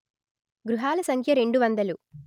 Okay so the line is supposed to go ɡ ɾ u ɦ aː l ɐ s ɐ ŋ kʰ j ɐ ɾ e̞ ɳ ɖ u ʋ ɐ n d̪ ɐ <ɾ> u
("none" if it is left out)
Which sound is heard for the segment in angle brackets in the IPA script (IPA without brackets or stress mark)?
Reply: l